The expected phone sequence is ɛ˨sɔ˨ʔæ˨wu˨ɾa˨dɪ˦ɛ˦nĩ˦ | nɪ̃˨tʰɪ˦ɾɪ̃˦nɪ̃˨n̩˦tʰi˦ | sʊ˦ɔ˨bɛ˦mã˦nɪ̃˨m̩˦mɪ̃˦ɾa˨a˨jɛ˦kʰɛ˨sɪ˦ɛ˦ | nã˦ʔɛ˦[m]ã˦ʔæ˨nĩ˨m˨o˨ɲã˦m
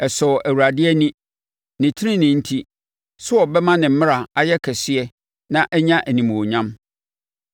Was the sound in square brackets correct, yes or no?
no